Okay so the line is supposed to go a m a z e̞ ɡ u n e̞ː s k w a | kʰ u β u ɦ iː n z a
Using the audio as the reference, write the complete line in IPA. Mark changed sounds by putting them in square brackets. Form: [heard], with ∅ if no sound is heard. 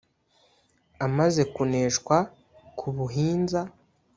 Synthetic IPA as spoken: a m a z e̞ [k] u n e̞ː [ʃ] k w a | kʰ u β u ɦ iː n z a